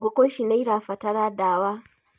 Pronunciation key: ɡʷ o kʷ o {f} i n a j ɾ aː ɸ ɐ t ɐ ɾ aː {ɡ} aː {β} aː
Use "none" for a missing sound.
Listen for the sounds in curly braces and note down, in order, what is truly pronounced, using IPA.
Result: ʃ, d, w

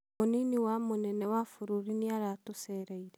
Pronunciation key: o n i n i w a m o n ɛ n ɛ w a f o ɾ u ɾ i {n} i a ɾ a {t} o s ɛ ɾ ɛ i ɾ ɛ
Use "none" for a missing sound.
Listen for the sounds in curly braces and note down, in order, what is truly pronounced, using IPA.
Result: n, t

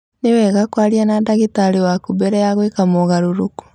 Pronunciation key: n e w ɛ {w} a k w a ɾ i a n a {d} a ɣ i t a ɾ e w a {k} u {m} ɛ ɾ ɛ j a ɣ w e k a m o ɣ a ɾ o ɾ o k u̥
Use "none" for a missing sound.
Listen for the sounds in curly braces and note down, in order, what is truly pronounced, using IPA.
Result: ɣ, d, k, b

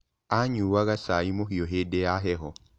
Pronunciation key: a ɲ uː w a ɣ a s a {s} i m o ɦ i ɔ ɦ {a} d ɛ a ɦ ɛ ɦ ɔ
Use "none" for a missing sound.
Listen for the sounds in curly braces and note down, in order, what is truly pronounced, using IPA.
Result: none, e

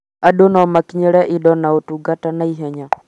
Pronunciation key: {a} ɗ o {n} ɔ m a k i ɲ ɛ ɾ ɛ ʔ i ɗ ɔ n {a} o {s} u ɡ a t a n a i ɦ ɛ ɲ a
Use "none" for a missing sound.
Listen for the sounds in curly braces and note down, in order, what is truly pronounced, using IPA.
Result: a, n, a, t

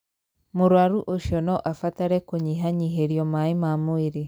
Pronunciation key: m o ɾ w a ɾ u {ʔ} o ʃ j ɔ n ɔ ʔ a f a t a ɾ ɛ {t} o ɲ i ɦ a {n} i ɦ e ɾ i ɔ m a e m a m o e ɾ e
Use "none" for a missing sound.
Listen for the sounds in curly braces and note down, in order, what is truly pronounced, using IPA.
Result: ʔ, k, ɲ

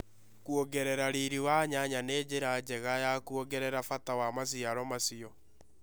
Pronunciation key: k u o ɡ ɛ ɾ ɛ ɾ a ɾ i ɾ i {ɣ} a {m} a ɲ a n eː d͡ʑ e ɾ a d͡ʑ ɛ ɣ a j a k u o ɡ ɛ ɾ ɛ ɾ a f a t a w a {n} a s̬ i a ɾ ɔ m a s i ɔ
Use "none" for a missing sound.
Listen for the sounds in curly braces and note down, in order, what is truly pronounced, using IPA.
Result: w, ɲ, m

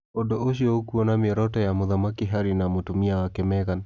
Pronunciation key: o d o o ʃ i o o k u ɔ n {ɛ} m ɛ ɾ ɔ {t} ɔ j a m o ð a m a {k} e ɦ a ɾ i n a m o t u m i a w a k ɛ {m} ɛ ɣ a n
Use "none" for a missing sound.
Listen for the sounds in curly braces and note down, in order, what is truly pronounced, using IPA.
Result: a, t, k, m

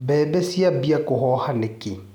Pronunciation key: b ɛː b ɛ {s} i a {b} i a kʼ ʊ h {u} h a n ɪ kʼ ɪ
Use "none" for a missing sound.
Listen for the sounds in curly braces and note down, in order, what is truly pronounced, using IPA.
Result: s, b, ɔ

